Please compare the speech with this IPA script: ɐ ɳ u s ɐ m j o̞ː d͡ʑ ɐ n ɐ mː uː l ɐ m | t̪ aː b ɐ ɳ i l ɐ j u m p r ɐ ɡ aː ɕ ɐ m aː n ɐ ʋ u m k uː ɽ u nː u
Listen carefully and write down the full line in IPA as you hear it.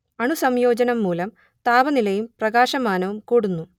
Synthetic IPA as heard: ɐ ɳ u s ɐ m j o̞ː d͡ʑ ɐ n ɐ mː uː l ɐ m | t̪ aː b ɐ n i l ɐ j u m p r ɐ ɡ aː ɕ ɐ m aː n ɐ ʋ u m k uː ɽ u nː u